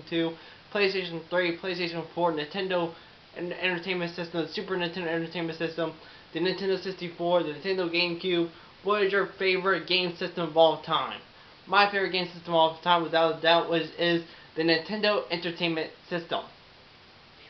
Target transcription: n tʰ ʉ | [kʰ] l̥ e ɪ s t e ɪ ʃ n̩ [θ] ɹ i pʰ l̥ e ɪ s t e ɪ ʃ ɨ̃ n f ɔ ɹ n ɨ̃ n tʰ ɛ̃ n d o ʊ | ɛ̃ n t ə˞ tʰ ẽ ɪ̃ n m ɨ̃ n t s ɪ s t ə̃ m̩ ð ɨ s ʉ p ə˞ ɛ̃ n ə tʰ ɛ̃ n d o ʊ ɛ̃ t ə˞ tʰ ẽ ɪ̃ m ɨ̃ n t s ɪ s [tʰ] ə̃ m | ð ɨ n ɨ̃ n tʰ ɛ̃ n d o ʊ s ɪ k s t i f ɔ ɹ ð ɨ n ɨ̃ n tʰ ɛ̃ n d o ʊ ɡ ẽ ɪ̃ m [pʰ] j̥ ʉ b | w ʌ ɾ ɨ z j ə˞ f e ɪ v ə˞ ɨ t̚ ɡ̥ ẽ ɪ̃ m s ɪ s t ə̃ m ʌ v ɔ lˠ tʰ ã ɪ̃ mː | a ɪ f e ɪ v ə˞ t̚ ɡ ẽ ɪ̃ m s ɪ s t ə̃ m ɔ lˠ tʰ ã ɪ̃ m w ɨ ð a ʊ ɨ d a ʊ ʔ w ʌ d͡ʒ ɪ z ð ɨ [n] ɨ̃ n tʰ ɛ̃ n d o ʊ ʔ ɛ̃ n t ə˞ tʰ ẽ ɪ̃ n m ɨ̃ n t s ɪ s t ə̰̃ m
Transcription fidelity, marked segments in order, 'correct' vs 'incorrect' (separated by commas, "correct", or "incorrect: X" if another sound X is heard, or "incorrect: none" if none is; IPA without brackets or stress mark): incorrect: pʰ, correct, incorrect: t, incorrect: kʰ, correct